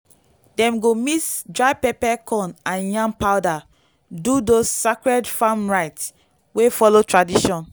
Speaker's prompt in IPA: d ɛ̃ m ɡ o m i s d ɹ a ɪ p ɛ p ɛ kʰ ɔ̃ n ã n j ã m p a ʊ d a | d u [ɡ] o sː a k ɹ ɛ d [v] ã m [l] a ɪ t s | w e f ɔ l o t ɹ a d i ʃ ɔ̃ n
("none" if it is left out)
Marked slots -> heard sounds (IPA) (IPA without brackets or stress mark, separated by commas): d, f, ɹ